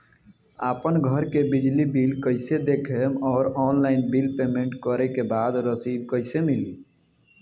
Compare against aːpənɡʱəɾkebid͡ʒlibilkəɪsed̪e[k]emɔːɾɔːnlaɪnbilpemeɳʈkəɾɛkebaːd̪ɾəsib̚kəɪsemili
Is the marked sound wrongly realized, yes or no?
yes